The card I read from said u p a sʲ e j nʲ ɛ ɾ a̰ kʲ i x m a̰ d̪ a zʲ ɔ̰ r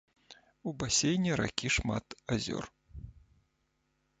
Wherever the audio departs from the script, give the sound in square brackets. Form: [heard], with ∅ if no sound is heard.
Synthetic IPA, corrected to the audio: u [b] a sʲ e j nʲ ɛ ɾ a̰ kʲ i [ʂ] m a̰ [t̪] a zʲ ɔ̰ r